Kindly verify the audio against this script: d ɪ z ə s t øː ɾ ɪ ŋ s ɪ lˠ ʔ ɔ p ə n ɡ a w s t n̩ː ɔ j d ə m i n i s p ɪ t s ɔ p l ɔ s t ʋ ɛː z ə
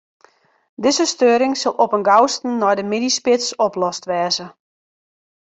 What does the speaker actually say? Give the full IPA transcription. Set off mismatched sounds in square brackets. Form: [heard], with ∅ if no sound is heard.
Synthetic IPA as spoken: d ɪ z ə s t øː ɾ ɪ ŋ s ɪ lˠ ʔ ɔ p ə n ɡ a w s t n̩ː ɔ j d ə m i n i s p ɪ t s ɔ p l ɔ s t ʋ ɛː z ə